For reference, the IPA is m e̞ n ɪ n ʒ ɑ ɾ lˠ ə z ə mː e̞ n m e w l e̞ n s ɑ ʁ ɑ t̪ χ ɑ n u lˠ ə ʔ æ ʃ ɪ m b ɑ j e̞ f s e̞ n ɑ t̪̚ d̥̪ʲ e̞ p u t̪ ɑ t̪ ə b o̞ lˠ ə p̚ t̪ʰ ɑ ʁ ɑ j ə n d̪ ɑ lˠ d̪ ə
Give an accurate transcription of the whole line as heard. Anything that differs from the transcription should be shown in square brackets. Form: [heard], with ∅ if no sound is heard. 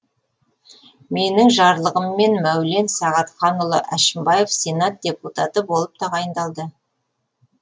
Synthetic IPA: m e̞ n ɪ [ŋ] ʒ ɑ ɾ lˠ ə [ʁ] ə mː e̞ n m [æ] w l e̞ n s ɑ ʁ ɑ t̪ χ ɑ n [ʊ] lˠ ə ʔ æ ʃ ɪ m b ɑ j e̞ f s e̞ n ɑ t̪̚ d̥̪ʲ e̞ p u t̪ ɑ t̪ ə b o̞ lˠ ə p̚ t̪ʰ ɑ ʁ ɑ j ə n d̪ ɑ lˠ d̪ ə

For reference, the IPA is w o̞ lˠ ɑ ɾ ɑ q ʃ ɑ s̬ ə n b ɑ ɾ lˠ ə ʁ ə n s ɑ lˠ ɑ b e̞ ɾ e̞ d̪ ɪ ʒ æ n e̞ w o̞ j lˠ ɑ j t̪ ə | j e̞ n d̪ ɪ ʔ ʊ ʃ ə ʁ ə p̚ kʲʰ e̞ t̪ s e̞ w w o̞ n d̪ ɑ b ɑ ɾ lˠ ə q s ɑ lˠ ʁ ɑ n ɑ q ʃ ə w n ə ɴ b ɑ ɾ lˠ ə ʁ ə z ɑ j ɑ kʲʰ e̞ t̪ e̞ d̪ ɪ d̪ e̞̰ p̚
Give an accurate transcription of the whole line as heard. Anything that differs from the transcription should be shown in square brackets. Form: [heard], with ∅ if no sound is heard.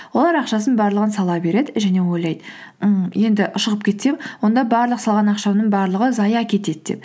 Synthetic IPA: w o̞ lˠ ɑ ɾ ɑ q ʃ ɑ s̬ ə n b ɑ ɾ lˠ ə ʁ ə n s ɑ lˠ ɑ b e̞ ɾ e̞ d̪ ɪ ʒ æ n e̞ w o̞ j lˠ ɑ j [d̪] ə | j e̞ n d̪ ɪ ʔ ʊ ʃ ə ʁ ə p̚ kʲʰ e̞ t̪ s e̞ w w o̞ n d̪ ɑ b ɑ ɾ lˠ ə q s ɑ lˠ ʁ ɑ n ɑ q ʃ [ɑ] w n ə ɴ b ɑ ɾ lˠ ə ʁ ə z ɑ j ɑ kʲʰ e̞ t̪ e̞ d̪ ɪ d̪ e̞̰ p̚

